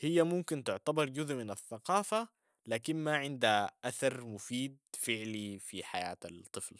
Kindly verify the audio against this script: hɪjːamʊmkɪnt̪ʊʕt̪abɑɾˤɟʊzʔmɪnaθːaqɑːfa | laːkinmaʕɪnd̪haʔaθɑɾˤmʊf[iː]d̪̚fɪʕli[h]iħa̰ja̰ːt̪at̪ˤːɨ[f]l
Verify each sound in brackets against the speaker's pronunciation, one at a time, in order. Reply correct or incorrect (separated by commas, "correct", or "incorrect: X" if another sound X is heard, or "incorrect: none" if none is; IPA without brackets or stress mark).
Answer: correct, incorrect: f, correct